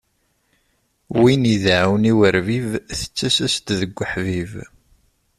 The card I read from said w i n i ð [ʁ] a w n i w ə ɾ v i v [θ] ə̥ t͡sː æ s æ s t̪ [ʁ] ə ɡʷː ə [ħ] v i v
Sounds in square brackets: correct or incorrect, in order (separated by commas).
incorrect, correct, incorrect, correct